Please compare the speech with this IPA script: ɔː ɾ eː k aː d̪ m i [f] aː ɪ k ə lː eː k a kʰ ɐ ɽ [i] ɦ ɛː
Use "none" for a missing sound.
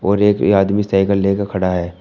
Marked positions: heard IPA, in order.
s, a

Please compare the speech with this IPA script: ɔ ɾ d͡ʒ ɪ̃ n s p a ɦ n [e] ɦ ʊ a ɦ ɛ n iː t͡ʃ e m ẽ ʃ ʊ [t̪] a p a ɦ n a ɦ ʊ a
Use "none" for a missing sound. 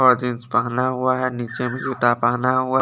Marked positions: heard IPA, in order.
a, t̪

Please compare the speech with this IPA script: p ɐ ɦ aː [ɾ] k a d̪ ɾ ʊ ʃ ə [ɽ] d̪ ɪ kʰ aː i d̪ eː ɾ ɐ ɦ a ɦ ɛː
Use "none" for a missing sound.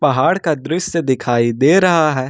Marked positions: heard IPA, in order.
ɽ, none

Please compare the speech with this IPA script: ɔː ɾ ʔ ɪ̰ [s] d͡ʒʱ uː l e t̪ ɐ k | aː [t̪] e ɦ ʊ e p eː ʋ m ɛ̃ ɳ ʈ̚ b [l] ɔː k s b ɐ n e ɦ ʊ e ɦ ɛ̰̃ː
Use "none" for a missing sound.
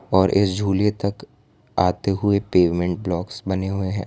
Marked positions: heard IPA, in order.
s, t̪, l

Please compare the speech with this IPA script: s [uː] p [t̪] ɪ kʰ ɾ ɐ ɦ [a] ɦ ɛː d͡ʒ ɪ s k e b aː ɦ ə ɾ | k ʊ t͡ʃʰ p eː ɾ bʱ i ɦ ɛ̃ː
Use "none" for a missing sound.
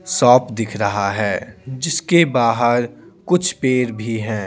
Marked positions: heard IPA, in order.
ɔː, d̪, a

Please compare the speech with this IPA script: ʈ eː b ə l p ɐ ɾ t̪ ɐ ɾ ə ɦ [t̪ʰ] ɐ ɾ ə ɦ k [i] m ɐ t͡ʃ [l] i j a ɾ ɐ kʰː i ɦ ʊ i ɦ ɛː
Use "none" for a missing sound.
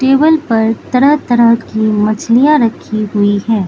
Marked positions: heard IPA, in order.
t̪, i, l

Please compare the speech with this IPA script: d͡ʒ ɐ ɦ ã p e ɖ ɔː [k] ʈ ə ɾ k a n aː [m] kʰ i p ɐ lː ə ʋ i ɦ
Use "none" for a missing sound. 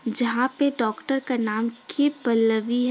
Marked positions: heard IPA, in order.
k, m

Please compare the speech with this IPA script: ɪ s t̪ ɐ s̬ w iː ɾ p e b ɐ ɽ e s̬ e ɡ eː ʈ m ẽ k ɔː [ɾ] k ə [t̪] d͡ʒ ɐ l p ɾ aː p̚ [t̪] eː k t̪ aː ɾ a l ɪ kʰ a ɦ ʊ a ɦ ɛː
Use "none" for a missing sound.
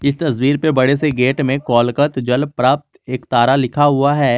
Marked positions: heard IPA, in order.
l, t̪, t̪

